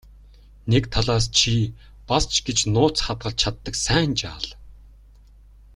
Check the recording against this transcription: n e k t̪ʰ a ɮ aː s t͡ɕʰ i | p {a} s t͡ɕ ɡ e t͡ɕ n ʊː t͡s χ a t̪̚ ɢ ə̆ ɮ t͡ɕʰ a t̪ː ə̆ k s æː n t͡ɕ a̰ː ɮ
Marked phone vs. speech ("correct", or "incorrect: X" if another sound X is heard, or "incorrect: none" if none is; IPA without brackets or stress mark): correct